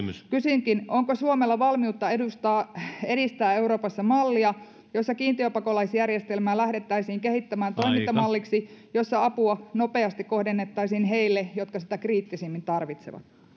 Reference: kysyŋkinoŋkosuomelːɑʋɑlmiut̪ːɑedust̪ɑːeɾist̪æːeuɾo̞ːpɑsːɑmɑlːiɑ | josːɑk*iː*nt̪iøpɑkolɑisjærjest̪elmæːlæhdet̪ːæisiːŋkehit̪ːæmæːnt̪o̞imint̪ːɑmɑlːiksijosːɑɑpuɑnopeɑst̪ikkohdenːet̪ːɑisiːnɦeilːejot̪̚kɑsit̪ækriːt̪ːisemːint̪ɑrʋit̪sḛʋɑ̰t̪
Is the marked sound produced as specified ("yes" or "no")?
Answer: yes